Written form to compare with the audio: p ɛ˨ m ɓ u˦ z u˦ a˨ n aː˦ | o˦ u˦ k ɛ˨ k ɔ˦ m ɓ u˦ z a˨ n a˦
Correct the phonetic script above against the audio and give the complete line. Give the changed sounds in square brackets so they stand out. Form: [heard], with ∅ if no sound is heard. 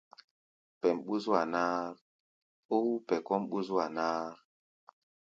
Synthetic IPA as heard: p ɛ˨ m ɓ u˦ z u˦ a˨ n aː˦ | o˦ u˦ [p] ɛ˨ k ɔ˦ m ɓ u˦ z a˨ n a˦